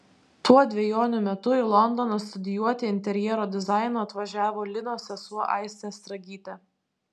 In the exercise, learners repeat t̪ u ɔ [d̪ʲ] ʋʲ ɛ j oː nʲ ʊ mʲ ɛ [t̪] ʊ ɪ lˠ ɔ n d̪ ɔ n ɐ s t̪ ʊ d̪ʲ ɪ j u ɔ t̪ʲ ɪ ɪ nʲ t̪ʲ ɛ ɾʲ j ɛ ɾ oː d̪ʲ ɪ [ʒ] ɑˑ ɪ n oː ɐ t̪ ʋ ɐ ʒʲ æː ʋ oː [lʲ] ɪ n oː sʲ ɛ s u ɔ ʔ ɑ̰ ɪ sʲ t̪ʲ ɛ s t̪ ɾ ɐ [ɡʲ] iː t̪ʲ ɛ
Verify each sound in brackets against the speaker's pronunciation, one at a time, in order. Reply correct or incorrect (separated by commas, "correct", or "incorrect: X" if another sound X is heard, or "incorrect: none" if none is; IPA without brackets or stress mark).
correct, correct, incorrect: z, correct, correct